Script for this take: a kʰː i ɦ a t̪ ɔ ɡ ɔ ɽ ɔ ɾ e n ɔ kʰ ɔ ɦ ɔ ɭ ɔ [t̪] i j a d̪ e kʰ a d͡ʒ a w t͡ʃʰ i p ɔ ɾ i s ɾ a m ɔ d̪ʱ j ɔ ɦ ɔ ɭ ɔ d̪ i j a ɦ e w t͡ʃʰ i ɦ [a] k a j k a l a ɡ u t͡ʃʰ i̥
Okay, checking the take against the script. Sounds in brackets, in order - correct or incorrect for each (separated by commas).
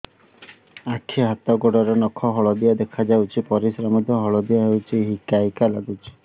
incorrect, incorrect